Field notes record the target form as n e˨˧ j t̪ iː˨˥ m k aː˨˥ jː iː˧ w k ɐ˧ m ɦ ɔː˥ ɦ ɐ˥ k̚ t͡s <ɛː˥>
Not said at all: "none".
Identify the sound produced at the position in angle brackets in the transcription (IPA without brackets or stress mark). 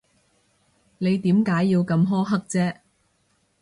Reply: ɛː˥